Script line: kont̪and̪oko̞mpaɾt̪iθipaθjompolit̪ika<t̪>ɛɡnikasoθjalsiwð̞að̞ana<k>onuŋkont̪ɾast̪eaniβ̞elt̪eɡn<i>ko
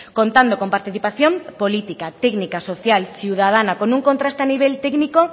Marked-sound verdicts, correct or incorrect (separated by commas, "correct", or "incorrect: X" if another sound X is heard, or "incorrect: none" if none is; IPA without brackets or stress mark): correct, correct, correct